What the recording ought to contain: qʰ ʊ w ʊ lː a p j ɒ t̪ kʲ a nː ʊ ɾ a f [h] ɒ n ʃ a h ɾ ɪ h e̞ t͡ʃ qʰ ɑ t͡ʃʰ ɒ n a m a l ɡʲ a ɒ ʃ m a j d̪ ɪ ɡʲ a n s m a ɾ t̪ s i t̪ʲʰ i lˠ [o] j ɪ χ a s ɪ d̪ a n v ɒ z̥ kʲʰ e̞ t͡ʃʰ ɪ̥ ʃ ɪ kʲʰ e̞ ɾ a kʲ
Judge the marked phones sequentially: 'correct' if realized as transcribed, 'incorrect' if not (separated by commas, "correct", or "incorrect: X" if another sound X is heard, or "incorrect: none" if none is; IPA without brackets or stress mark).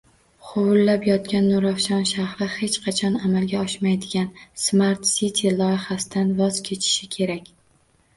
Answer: incorrect: ʃ, incorrect: ɒ